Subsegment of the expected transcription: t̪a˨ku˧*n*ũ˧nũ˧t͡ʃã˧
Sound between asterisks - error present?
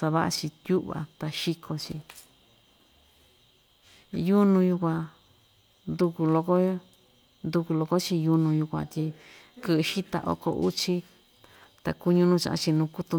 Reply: yes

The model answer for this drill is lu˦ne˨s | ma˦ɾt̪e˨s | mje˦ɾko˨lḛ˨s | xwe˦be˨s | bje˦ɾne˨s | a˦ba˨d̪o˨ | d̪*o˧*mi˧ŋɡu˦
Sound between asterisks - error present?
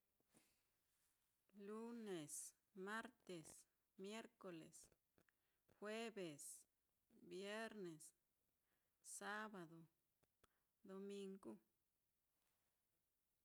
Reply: no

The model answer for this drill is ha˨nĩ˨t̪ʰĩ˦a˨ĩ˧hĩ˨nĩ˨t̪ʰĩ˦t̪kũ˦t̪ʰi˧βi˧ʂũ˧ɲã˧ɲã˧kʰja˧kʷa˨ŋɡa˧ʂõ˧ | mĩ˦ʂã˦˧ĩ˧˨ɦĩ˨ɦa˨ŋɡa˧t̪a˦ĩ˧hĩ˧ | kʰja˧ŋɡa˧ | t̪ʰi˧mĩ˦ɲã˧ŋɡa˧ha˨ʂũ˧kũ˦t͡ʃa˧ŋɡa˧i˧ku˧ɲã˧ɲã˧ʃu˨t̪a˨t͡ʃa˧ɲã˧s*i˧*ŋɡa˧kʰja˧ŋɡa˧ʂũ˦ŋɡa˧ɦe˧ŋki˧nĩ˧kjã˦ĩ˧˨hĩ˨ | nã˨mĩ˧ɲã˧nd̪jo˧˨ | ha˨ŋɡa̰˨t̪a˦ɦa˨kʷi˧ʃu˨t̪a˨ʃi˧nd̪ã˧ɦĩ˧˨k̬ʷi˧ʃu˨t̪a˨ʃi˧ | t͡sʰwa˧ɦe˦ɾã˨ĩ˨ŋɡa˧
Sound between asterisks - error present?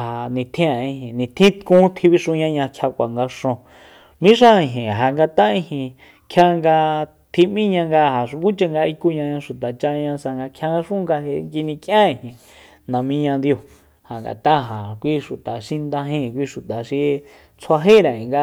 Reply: yes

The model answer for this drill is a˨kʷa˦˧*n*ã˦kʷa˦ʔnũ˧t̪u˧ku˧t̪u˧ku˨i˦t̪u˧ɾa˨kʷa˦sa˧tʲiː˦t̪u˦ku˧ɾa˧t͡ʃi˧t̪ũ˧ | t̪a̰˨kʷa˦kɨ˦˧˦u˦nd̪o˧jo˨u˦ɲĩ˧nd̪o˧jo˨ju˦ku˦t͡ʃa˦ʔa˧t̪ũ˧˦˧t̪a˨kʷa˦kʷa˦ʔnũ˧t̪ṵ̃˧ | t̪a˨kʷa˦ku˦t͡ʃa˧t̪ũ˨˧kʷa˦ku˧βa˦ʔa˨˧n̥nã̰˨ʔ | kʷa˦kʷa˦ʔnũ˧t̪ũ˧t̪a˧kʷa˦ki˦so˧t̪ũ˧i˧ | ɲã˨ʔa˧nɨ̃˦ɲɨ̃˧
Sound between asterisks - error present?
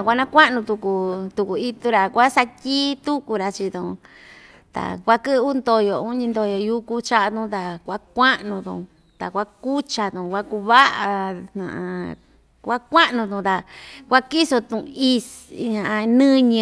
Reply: no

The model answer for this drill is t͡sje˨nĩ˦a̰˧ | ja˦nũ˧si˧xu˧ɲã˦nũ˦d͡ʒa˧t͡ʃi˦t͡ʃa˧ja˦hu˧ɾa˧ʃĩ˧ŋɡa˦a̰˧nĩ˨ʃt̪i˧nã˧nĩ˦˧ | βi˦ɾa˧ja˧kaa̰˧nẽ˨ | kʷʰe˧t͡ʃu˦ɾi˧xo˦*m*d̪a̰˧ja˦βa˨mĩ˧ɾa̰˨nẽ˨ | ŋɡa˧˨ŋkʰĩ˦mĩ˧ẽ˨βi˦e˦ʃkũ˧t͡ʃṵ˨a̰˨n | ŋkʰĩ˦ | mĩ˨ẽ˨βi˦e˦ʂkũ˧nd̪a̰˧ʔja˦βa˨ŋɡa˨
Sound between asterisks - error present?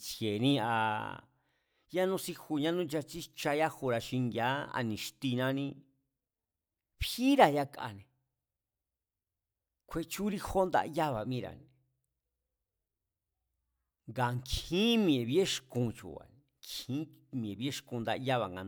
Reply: yes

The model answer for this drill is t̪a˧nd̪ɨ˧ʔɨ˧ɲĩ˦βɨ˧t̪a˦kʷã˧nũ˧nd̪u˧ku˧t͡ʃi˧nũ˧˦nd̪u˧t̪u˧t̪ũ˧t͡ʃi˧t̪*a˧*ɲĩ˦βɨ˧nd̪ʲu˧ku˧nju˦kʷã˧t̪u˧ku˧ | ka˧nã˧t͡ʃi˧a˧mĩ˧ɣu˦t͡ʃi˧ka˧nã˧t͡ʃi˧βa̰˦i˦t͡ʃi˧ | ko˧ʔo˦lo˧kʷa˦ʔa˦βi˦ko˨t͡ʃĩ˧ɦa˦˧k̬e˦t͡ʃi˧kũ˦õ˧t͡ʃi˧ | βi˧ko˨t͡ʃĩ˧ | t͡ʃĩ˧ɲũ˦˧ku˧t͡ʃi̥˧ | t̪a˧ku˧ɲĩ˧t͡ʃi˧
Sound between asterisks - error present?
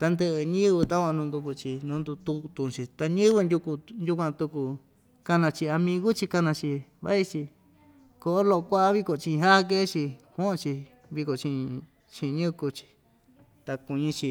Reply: no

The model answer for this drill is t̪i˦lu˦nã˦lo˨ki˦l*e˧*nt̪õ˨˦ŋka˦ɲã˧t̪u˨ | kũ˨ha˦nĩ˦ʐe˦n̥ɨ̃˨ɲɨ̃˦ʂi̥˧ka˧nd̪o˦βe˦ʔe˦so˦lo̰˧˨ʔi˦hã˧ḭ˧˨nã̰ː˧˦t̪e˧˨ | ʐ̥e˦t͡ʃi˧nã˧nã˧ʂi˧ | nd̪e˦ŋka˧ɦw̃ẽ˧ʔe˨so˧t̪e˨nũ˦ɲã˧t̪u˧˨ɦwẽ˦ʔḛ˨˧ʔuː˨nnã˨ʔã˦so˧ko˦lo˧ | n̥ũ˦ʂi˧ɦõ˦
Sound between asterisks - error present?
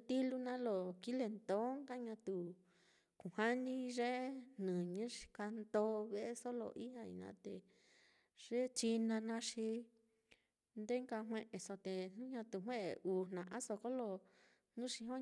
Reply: no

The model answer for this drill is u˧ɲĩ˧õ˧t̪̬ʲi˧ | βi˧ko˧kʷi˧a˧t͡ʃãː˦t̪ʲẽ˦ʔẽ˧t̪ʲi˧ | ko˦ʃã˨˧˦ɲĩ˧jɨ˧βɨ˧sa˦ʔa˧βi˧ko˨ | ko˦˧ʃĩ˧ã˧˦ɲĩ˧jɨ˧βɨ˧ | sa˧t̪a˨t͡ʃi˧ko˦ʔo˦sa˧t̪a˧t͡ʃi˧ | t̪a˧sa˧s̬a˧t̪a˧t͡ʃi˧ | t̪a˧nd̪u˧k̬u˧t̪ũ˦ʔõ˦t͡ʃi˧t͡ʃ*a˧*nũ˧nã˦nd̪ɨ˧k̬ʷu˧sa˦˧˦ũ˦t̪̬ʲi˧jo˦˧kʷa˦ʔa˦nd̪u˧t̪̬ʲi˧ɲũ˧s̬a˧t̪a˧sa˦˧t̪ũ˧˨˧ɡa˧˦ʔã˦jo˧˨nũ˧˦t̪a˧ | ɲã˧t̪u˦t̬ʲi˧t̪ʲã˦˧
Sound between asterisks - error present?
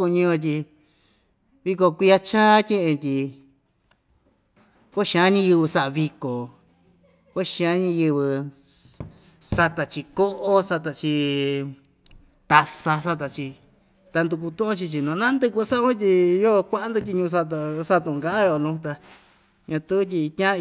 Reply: yes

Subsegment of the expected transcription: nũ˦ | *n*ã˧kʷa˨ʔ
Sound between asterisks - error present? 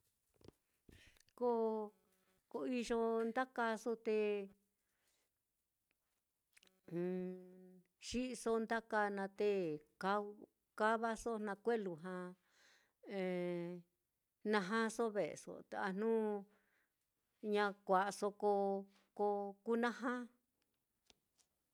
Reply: yes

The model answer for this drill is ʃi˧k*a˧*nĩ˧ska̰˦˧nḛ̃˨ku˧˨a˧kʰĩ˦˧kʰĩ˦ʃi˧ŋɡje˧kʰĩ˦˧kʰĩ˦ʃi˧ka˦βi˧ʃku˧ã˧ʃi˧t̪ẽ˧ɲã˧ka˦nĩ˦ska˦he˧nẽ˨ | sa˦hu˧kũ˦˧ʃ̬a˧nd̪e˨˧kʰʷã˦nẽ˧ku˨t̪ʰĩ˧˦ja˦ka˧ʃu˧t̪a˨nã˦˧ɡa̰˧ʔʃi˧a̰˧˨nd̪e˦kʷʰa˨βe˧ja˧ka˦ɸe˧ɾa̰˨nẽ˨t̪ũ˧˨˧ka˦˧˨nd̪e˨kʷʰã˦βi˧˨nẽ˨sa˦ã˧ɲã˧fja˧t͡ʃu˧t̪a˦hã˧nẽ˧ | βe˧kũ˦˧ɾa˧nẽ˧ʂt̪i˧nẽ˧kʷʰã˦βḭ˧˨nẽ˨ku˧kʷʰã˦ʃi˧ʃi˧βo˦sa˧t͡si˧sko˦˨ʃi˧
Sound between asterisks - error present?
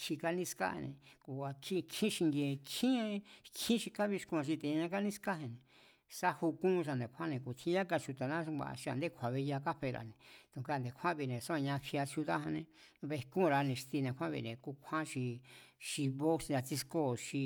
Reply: no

